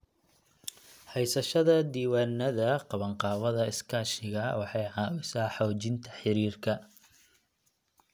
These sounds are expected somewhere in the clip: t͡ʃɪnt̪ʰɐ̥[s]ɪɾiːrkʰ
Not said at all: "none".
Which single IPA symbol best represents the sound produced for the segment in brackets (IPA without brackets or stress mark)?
ħ